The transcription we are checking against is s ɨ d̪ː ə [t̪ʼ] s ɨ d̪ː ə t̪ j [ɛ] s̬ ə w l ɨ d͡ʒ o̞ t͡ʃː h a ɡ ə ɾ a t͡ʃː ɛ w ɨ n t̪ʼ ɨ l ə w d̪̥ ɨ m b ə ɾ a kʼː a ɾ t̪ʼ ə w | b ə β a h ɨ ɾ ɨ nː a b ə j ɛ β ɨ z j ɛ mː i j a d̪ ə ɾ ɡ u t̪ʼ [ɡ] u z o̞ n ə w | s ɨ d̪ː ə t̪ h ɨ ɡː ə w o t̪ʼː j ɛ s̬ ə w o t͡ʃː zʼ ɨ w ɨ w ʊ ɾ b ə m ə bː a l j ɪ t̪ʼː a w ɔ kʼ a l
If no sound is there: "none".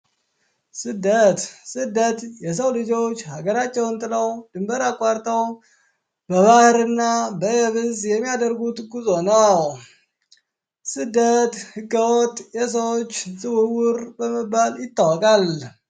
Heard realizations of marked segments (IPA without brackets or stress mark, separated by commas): t̪, ɛ, ɡ